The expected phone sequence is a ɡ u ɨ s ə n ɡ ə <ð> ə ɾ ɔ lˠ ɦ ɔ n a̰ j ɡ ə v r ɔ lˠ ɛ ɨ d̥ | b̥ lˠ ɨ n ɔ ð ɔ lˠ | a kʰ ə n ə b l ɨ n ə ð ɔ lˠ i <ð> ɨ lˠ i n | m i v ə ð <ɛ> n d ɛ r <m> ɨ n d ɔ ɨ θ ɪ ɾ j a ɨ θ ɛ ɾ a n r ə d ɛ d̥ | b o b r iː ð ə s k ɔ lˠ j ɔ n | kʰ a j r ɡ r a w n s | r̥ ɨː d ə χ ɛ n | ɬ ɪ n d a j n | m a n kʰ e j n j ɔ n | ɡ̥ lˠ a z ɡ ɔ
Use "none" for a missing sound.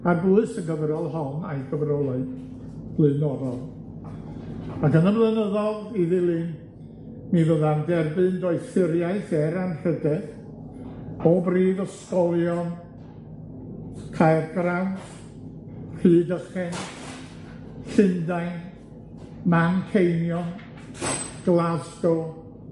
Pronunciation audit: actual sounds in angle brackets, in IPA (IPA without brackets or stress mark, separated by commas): v, ð, a, b